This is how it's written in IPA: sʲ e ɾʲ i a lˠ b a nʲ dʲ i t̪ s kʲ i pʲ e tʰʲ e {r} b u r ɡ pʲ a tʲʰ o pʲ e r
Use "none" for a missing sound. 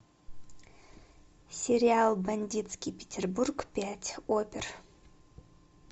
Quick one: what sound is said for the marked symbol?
r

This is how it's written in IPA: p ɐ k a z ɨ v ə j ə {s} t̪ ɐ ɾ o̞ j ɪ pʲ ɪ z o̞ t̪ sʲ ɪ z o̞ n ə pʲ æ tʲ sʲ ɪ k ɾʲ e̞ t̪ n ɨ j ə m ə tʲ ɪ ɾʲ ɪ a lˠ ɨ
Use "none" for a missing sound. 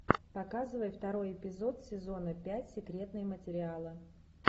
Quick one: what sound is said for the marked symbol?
f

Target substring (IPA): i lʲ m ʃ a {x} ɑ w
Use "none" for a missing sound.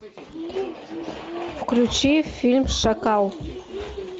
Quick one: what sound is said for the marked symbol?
k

